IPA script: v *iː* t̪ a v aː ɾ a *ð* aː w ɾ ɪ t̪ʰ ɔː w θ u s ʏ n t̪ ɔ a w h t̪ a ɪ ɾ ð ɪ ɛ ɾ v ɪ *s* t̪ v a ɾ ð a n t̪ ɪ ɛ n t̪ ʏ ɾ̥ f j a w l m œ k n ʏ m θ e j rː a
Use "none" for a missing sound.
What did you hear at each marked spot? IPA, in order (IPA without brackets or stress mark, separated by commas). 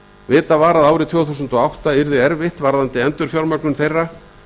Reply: ɪː, ð, h